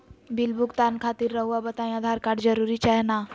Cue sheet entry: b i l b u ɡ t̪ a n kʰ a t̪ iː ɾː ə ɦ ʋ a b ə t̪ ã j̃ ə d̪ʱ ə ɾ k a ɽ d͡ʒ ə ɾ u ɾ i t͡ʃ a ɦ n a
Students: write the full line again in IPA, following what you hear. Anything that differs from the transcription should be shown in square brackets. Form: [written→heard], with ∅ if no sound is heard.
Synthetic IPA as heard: b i l b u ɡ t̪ a n kʰ a t̪ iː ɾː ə ɦ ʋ a b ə t̪ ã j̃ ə d̪ʱ [ə→a] ɾ k a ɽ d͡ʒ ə ɾ u ɾ i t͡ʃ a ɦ n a